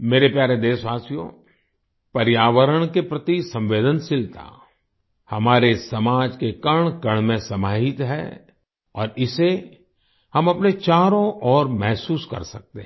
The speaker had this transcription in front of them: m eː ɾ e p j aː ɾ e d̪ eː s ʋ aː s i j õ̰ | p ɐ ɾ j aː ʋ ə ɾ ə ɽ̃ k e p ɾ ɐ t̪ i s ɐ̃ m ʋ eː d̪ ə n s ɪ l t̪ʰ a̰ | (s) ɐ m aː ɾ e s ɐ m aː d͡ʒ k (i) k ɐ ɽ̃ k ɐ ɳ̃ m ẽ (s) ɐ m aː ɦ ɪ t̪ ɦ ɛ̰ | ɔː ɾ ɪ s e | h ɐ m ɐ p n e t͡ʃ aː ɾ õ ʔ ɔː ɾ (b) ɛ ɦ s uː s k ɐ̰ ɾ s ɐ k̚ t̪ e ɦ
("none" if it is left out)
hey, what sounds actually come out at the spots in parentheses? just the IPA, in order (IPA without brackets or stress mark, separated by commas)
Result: h, e, s, m